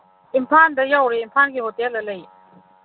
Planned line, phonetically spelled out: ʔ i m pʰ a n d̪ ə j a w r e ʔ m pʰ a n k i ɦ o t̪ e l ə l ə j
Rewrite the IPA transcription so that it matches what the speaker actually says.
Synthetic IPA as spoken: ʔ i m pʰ a n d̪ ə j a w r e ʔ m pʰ a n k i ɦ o t̪ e l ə l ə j